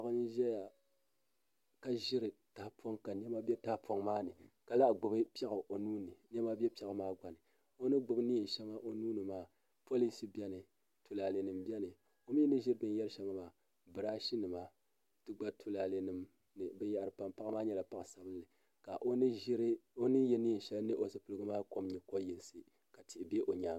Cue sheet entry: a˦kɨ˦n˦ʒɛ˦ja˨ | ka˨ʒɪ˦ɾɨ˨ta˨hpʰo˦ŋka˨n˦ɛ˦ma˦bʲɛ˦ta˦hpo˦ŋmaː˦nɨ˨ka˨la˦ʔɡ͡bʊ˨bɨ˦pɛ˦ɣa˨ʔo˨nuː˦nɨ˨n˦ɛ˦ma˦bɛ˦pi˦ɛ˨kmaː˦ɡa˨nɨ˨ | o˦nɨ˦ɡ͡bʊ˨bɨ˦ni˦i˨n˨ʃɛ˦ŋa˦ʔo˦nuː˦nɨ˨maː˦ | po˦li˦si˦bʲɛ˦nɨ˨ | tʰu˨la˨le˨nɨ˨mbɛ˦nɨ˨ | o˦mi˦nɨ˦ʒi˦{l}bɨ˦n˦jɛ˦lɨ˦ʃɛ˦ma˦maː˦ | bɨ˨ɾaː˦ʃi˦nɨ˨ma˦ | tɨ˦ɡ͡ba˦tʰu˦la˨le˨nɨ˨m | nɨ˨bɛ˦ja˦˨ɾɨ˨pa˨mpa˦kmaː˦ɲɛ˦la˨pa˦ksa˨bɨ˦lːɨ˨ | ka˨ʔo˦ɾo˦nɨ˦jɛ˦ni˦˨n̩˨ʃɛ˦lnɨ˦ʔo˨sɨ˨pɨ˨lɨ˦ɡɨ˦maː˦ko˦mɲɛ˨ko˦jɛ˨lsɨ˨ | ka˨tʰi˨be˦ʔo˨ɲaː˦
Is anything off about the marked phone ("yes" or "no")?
yes